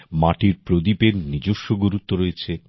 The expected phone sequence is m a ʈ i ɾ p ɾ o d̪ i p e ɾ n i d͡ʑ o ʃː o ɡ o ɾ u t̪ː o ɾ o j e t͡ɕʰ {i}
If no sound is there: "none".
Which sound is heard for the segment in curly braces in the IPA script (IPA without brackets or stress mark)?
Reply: e